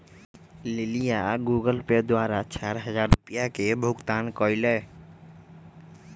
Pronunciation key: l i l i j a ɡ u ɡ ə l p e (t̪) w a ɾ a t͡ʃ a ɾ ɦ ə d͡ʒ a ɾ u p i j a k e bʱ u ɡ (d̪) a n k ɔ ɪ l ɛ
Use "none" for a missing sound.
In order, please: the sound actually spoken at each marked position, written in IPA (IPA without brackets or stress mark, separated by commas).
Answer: d̪, t̪